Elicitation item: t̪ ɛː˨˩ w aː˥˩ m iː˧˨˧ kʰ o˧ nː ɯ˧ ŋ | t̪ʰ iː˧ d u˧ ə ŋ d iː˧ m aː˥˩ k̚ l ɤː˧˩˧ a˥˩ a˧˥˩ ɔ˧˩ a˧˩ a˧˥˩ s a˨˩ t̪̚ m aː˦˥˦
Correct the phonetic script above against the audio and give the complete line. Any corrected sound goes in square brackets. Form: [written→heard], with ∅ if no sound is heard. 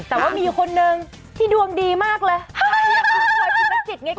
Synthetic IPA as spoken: t̪ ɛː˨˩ w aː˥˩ m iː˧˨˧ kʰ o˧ nː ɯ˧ ŋ | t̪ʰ [iː˧→iː˥˩] d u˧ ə ŋ d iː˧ m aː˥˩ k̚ l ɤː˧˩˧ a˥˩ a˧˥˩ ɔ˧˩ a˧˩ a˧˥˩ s [a˨˩→i˨˩] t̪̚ [m→ŋ] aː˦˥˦